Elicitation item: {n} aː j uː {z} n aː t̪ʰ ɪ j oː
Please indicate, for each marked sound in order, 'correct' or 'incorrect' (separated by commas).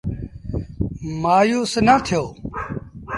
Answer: incorrect, incorrect